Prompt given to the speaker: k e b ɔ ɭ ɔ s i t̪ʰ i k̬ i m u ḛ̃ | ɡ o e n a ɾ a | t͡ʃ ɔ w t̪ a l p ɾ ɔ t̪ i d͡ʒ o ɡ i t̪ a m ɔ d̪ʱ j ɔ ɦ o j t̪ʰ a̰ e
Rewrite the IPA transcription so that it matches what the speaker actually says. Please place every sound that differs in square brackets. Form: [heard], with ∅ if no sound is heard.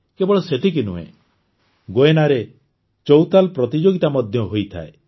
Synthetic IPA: k e b ɔ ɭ ɔ s [e] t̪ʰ i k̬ i [n] u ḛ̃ | ɡ o e n a ɾ [e] | t͡ʃ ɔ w t̪ a l p ɾ ɔ t̪ i d͡ʒ o ɡ i t̪ a m ɔ d̪ʱ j ɔ ɦ o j t̪ʰ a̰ e